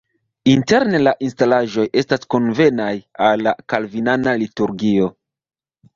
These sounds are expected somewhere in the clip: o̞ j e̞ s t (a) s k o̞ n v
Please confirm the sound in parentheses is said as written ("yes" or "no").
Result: yes